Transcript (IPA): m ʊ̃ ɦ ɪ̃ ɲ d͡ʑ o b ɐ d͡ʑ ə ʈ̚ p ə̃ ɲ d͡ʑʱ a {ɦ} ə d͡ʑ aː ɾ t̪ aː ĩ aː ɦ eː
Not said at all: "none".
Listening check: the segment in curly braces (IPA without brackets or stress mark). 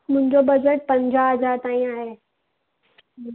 ɦ